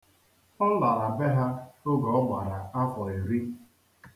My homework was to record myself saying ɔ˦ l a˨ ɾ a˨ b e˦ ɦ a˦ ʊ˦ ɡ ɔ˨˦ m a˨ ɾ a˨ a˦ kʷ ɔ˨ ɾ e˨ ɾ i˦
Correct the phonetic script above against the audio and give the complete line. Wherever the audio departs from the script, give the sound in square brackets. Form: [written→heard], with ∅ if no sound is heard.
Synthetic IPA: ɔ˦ l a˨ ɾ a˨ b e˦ ɦ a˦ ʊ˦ ɡ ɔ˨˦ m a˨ ɾ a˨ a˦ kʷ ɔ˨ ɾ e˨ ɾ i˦